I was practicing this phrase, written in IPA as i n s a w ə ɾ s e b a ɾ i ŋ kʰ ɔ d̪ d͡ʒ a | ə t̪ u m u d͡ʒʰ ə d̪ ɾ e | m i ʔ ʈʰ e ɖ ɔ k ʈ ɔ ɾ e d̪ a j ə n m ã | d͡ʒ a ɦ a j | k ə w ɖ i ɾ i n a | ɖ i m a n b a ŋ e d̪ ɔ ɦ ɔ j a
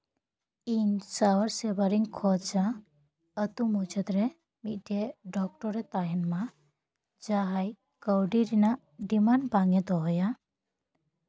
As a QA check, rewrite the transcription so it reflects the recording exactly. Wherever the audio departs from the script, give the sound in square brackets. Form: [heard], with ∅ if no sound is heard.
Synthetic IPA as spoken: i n s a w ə ɾ s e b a ɾ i ŋ kʰ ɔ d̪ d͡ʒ a | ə t̪ u m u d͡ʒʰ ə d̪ ɾ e | m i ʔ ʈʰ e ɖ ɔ k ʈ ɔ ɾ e [t̪] a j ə n m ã | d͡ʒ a ɦ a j | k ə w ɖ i ɾ i n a | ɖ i m a n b a ŋ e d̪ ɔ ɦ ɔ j a